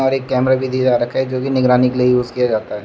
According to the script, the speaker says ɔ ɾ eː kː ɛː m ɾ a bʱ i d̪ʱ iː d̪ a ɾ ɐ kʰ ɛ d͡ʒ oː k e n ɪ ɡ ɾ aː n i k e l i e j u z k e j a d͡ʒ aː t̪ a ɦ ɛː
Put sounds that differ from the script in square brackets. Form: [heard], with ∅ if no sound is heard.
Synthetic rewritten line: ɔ ɾ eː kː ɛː m ɾ a bʱ i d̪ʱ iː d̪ a ɾ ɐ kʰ ɛ d͡ʒ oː k [i] n ɪ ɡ ɾ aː n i k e l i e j [uː] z k [i] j a d͡ʒ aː t̪ a ɦ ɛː